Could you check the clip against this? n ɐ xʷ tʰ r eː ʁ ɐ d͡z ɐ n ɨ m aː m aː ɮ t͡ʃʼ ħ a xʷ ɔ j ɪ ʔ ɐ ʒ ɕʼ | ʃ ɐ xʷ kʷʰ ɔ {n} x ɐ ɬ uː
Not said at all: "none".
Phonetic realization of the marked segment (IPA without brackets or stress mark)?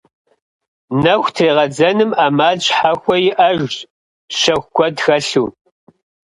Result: d